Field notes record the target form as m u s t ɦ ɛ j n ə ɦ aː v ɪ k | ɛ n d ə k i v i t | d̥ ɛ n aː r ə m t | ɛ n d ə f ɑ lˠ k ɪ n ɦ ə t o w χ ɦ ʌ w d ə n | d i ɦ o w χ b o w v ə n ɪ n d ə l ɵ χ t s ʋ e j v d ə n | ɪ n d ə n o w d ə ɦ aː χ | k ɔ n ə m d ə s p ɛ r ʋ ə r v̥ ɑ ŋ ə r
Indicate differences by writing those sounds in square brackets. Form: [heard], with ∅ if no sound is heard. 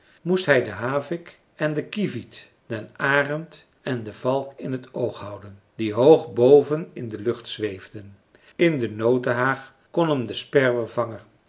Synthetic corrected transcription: m u s t ɦ ɛ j [d] ə ɦ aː v ɪ k | ɛ n d ə k i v i t | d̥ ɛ n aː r ə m t | ɛ n d ə [v] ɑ lˠ k ɪ n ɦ ə t o w χ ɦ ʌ w d ə n | d i ɦ o w χ b o w v ə n ɪ n d ə l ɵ χ t s ʋ e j v d ə n | ɪ n d ə n o w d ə ɦ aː χ | k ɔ n ə m d ə s p ɛ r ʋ ə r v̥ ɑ ŋ ə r